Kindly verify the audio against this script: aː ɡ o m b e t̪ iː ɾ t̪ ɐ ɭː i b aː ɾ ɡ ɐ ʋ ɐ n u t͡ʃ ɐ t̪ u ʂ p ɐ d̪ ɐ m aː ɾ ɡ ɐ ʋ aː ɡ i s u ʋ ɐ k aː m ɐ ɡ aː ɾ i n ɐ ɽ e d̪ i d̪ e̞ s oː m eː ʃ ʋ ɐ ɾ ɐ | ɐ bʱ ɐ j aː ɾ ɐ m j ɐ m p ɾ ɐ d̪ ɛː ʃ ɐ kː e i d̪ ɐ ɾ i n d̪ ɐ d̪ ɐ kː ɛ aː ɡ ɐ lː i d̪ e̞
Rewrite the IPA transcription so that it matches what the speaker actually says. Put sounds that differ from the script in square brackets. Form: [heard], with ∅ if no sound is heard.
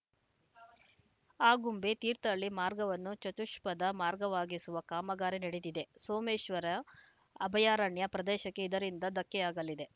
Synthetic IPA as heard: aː ɡ [u] m b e t̪ iː ɾ t̪ ɐ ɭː i [m] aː ɾ ɡ ɐ ʋ ɐ [nː] u t͡ʃ ɐ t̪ u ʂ p ɐ d̪ ɐ m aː ɾ ɡ ɐ ʋ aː ɡ i s u ʋ ɐ k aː m ɐ ɡ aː ɾ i n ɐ ɽ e d̪ i d̪ e̞ s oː m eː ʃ ʋ ɐ ɾ ɐ | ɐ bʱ ɐ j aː ɾ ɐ [ɳ] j ɐ [∅] p ɾ ɐ d̪ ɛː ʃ ɐ kː e i d̪ ɐ ɾ i n d̪ ɐ d̪ ɐ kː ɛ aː ɡ ɐ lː i d̪ e̞